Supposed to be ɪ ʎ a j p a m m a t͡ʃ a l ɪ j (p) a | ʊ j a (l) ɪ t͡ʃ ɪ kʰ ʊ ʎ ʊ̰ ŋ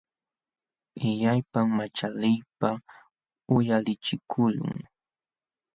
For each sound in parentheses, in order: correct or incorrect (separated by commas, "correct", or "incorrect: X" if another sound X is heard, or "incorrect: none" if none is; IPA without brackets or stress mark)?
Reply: correct, correct